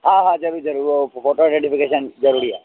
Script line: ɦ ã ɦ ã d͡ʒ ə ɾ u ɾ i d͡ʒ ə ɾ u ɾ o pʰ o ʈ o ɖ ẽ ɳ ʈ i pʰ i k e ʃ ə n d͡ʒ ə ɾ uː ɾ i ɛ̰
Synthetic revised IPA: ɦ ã ɦ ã d͡ʒ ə ɾ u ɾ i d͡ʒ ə ɾ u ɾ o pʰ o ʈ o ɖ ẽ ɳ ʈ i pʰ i k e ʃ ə n d͡ʒ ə ɾ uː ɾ i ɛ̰